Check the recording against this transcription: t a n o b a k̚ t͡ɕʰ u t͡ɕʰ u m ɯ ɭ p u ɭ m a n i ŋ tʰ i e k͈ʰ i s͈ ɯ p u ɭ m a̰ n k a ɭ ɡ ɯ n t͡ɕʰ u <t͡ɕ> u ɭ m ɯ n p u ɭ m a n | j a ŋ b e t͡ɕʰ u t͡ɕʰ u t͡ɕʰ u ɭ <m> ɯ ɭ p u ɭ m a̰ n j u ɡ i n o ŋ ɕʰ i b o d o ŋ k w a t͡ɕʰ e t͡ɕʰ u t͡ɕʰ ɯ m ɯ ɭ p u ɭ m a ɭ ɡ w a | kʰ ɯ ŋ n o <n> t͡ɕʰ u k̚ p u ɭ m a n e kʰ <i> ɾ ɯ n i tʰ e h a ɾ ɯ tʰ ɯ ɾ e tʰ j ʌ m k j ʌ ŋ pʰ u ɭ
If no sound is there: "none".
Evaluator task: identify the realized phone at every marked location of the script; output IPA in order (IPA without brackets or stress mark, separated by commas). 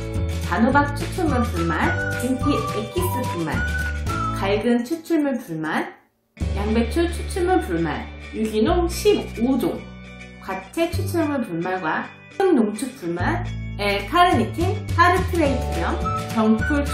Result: t͡ɕʰ, m, ŋ, a